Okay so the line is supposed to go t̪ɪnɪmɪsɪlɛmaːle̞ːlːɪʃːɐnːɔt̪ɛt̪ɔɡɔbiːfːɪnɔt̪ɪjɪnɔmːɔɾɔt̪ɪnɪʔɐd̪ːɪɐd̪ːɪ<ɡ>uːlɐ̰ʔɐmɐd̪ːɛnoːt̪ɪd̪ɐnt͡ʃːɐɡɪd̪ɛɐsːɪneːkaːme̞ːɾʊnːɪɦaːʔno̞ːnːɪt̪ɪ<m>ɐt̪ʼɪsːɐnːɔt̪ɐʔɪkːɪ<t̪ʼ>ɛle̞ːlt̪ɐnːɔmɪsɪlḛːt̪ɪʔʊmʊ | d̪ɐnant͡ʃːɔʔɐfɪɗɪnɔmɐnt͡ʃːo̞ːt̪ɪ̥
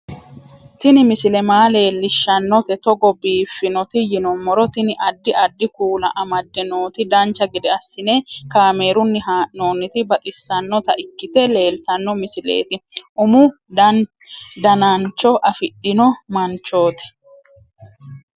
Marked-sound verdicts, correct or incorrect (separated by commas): incorrect, incorrect, incorrect